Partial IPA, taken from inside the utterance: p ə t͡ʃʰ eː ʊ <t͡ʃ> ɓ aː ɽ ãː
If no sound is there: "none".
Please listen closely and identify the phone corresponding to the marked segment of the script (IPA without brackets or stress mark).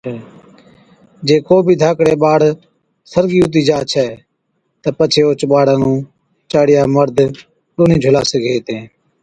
t͡ʃ